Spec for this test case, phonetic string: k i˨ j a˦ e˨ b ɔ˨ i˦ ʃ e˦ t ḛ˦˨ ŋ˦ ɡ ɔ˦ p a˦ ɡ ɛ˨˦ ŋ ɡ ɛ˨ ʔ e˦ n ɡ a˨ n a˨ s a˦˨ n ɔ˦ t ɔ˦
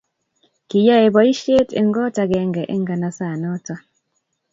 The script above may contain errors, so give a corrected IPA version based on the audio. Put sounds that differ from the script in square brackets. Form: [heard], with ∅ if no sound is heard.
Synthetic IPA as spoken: k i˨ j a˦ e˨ b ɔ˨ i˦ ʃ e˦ t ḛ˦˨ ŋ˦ ɡ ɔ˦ [t] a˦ ɡ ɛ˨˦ ŋ ɡ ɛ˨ ʔ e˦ [ŋ] ɡ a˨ n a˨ s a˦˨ n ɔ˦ t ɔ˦